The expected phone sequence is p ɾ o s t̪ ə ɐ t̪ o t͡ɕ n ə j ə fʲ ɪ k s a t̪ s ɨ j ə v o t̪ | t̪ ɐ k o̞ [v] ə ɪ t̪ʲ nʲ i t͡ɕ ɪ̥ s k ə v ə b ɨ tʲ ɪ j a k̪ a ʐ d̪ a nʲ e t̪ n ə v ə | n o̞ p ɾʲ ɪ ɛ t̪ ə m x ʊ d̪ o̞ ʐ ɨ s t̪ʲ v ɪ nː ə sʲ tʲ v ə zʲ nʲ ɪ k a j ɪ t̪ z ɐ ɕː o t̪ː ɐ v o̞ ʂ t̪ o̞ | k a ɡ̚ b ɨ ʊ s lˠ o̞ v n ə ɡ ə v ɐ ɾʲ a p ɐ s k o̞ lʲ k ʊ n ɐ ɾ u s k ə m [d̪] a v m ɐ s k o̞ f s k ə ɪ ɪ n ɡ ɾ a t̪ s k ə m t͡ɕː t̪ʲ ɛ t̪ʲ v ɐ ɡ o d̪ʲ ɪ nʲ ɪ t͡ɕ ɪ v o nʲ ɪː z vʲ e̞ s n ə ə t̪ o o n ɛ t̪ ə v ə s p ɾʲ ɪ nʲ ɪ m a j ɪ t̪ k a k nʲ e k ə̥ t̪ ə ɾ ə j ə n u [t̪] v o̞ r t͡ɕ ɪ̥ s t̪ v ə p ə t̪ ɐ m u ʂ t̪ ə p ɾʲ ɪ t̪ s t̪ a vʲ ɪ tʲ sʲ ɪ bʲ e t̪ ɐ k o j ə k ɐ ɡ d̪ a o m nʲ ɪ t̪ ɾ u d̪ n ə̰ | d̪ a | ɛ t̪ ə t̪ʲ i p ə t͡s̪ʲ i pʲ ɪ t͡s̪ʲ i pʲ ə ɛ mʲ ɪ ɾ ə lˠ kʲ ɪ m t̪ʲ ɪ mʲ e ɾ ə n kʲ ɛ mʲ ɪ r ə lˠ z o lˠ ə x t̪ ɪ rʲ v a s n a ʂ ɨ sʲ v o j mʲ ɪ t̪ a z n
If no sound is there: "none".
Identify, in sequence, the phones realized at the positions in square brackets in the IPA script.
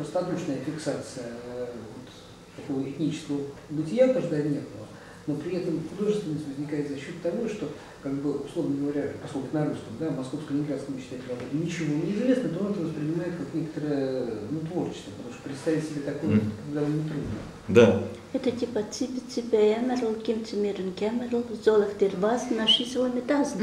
v, d̪, t̪

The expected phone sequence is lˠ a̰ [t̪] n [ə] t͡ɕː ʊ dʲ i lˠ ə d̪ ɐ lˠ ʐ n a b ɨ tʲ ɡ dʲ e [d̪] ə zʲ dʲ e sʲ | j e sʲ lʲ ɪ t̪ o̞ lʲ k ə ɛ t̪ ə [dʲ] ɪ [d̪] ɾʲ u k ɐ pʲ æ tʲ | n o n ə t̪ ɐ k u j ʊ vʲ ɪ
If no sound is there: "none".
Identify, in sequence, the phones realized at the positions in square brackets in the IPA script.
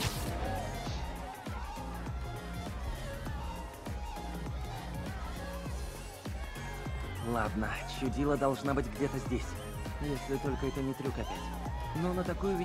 d̪, ə, t̪, nʲ, t̪

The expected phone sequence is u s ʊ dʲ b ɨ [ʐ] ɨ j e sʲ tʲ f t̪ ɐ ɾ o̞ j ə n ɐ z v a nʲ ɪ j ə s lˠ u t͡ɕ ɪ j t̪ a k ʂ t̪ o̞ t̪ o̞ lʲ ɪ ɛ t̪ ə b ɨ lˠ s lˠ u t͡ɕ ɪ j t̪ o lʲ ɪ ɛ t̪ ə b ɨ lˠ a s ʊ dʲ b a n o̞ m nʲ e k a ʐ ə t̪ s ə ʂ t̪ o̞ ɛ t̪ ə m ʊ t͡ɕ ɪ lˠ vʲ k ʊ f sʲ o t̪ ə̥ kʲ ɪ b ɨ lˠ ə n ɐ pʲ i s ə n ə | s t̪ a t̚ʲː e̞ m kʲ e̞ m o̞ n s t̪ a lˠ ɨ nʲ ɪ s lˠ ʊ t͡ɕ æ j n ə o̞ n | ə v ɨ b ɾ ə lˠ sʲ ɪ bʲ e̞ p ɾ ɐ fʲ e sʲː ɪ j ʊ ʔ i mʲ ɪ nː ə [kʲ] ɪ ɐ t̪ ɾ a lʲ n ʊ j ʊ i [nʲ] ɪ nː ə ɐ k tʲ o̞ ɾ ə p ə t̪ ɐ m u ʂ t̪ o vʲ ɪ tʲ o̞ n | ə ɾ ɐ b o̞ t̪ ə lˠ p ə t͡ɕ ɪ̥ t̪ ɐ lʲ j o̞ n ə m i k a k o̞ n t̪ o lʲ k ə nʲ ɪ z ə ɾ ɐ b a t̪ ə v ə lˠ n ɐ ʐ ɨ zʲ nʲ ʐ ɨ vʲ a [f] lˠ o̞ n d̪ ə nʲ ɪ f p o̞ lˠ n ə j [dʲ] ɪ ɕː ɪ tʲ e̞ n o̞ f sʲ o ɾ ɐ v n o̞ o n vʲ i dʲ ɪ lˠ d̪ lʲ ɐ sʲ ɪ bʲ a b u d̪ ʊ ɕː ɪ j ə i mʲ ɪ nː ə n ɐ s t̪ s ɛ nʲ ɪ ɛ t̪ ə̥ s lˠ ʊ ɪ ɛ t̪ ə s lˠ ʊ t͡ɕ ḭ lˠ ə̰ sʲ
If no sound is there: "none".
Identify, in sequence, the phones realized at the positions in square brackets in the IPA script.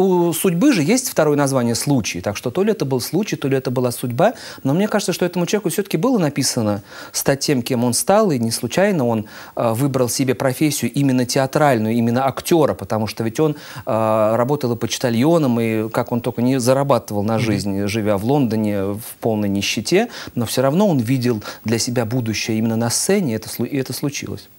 ʐ, tʲ, mʲ, v, nʲ

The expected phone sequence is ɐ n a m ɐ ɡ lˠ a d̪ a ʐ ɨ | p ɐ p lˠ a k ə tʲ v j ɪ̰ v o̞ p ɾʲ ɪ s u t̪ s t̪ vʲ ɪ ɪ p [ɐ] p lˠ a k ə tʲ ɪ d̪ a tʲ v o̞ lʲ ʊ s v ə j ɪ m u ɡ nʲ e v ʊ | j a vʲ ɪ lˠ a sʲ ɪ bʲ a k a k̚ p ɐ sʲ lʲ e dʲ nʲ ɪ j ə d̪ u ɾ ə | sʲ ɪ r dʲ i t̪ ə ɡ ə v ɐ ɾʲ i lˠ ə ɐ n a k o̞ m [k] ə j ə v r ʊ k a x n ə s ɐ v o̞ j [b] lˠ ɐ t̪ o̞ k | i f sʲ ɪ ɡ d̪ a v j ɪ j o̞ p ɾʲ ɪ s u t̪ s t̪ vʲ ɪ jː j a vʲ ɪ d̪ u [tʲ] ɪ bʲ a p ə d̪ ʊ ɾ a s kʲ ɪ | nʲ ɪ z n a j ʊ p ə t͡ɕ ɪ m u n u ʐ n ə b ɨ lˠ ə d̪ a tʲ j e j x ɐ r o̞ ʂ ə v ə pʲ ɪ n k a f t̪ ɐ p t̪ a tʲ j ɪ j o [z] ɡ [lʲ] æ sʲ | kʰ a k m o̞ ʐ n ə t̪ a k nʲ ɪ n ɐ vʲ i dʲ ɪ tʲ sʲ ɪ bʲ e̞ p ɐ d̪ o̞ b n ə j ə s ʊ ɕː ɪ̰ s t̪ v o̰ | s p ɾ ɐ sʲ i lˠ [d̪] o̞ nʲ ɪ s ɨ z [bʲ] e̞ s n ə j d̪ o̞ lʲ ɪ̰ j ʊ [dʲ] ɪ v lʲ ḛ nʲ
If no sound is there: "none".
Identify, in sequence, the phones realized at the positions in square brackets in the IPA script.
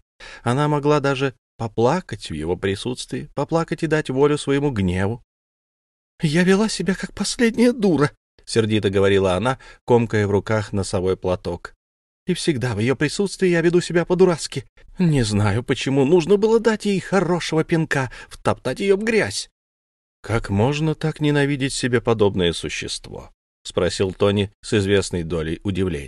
ɐ, k, p, sʲ, v, ɾʲ, t̪, vʲ, dʲ

